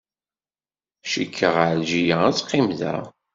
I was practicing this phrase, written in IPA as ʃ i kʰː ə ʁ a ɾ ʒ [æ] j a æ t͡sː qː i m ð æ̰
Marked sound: incorrect: i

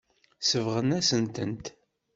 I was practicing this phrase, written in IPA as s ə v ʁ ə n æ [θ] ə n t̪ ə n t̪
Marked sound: incorrect: s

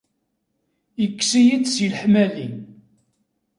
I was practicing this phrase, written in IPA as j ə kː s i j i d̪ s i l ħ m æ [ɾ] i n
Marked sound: incorrect: l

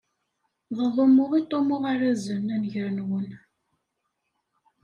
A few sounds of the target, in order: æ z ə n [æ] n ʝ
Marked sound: correct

